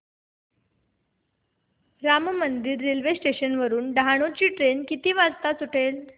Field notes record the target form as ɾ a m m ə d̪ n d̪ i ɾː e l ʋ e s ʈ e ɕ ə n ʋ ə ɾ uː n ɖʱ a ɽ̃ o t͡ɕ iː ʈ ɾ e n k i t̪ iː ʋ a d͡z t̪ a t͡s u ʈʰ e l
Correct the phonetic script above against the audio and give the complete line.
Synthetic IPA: ɾ a m m ə n d̪ i ɾː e l ʋ e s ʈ e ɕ ə n ʋ ə ɾ uː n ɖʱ a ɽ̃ o t͡ɕ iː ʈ ɾ e n k i t̪ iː ʋ a d͡z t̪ a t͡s u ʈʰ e l

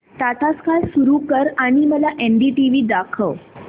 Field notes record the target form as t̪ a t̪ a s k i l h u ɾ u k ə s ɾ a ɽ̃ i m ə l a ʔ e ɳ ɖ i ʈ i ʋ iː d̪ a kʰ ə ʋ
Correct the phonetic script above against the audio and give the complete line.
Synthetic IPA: t̪ a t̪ a s k a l s u ɾ u k ə ɾ a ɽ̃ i m ə l a ʔ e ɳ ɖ i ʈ i ʋ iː d̪ a kʰ ə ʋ

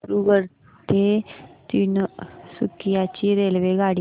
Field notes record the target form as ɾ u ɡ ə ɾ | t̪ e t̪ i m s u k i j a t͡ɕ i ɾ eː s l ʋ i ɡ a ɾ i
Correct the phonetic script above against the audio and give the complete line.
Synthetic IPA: ɾ u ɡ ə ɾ | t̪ e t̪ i n s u k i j a t͡ɕ i ɾ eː l ʋ e ɡ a ɽ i

